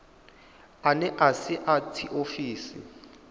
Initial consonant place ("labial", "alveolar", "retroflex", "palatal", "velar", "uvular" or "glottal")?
alveolar